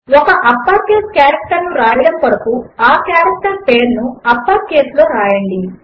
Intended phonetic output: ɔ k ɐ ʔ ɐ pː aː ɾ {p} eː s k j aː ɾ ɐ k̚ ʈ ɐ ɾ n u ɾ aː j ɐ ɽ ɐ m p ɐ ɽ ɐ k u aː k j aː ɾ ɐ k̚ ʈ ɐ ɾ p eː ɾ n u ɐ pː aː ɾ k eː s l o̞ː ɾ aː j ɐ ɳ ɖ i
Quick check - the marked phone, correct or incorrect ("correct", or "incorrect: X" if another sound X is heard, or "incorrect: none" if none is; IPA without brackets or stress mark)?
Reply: incorrect: k